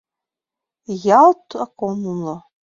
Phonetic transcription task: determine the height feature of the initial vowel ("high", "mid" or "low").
low